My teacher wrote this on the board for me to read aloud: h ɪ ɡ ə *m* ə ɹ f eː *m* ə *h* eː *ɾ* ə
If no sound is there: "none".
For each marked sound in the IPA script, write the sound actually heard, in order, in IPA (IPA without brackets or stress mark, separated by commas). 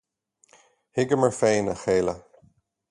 m, n, x, l